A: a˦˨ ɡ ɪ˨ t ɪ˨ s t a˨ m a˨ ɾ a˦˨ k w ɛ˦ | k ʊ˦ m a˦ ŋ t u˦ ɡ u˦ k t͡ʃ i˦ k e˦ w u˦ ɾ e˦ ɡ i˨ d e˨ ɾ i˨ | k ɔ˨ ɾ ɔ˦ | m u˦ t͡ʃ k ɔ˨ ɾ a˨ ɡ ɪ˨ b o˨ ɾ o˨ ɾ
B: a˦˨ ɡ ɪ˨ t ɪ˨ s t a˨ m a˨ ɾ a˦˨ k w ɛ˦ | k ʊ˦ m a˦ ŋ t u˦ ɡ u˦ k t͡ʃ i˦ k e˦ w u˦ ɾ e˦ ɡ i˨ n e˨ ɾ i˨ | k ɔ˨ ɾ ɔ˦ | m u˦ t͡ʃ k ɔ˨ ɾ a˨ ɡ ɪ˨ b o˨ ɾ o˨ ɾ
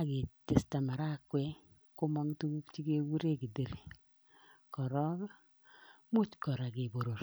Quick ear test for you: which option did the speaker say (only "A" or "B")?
A